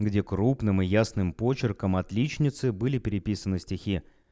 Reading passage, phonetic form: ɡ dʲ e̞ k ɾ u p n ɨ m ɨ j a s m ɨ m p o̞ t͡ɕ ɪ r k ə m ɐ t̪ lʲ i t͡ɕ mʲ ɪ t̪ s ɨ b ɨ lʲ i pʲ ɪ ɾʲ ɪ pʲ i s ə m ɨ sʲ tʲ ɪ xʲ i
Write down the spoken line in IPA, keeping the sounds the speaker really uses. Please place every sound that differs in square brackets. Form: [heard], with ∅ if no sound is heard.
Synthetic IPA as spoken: ɡ dʲ e̞ k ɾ u p n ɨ m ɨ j a s [n] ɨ m p o̞ t͡ɕ ɪ r k ə m ɐ t̪ lʲ i t͡ɕ [nʲ] ɪ t̪ s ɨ b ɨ lʲ [ɪ] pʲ ɪ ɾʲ ɪ pʲ i s ə [n] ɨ sʲ tʲ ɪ xʲ i

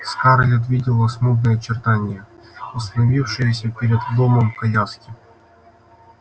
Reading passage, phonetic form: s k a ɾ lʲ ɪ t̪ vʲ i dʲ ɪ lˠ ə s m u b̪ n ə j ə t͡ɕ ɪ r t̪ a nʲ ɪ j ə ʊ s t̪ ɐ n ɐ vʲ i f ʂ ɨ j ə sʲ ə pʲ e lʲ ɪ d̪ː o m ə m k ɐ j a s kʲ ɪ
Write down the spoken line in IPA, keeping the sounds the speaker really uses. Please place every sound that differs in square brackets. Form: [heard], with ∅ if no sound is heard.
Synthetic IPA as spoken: s k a ɾ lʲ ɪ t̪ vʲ i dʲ ɪ lˠ ə s m u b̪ n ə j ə t͡ɕ ɪ r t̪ a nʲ ɪ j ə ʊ s t̪ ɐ n ɐ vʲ i f ʂ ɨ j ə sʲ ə pʲ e [ɾʲ] ɪ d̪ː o m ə m k ɐ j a s kʲ ɪ

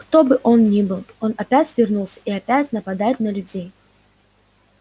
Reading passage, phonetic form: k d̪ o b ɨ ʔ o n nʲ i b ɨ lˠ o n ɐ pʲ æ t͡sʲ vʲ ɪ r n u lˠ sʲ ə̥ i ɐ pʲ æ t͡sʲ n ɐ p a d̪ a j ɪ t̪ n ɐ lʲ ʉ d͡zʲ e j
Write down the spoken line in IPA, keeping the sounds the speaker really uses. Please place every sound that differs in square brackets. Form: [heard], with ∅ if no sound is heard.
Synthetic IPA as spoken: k [t̪] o b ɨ ʔ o n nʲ i b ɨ lˠ o n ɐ pʲ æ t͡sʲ vʲ ɪ r n u lˠ sʲ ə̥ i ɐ pʲ æ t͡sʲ n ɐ p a d̪ a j ɪ t̪ n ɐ lʲ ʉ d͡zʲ e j

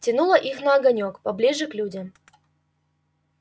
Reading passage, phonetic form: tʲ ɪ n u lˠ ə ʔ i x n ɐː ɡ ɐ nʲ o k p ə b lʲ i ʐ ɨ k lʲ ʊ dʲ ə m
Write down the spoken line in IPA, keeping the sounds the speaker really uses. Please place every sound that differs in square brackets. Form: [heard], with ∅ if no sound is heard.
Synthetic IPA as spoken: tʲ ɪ n u lˠ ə ʔ i x n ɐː ɡ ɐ nʲ o k p [ɐ] b lʲ i ʐ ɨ k lʲ [u] dʲ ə m

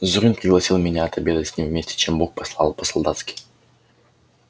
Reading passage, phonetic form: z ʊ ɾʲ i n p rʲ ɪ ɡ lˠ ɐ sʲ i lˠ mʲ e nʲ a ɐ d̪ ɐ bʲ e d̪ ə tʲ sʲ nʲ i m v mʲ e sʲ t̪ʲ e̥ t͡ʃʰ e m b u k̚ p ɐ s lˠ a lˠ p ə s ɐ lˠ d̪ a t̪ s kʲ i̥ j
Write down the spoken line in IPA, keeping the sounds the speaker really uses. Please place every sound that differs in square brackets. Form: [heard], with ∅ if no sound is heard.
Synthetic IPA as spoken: z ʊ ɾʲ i n p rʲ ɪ ɡ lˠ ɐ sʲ i lˠ mʲ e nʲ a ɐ [t̪] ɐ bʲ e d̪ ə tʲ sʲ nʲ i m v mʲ e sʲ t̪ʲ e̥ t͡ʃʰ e m b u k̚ p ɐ s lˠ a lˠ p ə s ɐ lˠ d̪ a t̪ s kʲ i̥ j

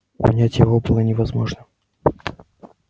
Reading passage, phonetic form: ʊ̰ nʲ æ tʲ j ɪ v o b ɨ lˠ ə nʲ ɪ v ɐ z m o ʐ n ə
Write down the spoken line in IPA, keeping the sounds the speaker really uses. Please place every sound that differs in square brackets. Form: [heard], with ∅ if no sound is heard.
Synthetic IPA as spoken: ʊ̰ nʲ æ tʲ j ɪ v o b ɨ lˠ ə nʲ ɪ v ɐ z m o ʐ n ə

